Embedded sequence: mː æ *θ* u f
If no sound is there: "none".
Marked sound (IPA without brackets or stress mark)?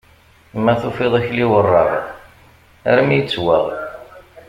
θ